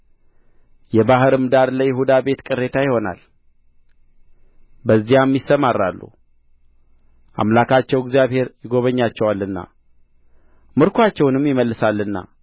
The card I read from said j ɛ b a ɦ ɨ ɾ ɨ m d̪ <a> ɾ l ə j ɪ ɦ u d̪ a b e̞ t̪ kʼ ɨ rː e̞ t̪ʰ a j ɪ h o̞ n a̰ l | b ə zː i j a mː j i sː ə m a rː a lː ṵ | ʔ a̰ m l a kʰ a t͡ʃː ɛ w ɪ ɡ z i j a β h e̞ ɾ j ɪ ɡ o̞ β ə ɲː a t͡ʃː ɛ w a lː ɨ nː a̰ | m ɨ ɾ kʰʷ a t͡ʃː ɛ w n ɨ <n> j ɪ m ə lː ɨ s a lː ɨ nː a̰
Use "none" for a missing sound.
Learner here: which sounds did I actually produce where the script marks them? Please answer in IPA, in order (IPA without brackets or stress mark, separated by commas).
a, m